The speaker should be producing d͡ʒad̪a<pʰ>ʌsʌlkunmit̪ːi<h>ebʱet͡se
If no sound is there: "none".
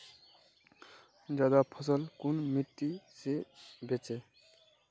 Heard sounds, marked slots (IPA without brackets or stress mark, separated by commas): pʰ, s